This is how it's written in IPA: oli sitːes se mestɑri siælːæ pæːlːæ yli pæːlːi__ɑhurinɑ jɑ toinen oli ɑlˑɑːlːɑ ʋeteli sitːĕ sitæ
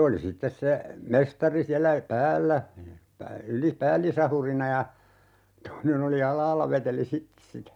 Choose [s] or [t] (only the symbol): s